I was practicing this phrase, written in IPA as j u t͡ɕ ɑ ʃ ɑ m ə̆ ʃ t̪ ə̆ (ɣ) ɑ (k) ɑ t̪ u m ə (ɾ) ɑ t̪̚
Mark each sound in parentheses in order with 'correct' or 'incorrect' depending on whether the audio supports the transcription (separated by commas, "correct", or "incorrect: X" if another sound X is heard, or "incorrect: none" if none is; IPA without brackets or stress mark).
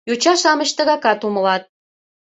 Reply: correct, correct, incorrect: l